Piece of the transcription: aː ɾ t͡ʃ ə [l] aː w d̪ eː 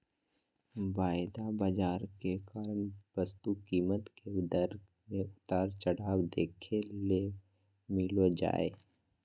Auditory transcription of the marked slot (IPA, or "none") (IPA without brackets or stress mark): ɽ